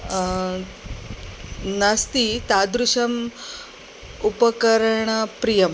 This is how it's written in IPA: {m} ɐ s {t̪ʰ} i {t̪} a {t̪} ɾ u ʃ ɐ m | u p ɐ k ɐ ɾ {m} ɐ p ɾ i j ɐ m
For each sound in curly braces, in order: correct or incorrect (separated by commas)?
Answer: incorrect, incorrect, correct, incorrect, incorrect